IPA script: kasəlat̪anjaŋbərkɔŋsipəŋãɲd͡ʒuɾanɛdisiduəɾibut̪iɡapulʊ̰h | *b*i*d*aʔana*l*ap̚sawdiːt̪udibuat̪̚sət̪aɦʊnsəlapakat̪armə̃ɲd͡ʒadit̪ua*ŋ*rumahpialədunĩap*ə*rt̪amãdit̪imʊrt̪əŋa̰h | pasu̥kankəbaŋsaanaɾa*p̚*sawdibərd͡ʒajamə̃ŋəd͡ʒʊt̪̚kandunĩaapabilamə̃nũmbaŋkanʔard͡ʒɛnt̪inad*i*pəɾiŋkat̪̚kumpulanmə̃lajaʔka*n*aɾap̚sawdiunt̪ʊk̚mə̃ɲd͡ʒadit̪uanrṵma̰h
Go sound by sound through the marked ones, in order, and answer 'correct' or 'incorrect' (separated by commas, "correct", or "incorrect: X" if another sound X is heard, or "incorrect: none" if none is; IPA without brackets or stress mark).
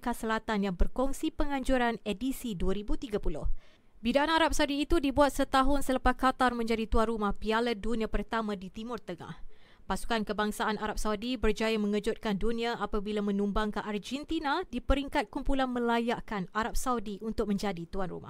correct, correct, incorrect: ɾ, incorrect: n, correct, correct, correct, correct